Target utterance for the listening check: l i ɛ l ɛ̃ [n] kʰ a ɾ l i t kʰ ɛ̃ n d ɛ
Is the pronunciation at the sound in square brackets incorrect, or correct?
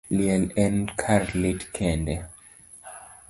correct